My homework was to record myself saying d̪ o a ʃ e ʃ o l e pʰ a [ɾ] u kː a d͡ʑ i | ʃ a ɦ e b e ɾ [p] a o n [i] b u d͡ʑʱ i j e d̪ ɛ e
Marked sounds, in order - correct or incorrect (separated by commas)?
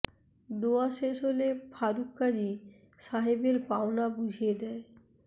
correct, correct, incorrect